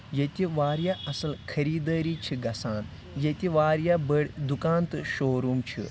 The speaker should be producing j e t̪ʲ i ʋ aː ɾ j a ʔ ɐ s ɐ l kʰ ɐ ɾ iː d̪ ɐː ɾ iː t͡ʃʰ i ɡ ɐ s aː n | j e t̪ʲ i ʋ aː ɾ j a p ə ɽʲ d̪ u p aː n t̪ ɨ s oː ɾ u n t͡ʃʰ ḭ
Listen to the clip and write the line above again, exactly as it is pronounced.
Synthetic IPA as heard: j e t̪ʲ i ʋ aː ɾ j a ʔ ɐ s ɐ l kʰ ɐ ɾ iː d̪ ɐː ɾ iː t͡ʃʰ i ɡ ɐ s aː n | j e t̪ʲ i ʋ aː ɾ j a b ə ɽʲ d̪ u k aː n t̪ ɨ ʃ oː ɾ u m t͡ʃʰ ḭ